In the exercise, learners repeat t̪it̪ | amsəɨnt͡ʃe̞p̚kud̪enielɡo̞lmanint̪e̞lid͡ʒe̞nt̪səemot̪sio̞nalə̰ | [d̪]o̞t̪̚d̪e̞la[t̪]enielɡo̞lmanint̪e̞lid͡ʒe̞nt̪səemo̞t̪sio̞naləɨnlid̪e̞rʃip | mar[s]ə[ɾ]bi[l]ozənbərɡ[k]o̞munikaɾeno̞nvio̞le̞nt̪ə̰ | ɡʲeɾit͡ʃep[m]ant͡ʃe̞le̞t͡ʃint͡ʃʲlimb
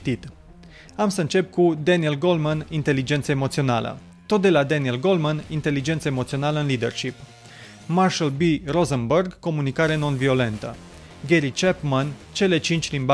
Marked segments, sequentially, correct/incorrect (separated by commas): incorrect, incorrect, incorrect, incorrect, incorrect, correct, correct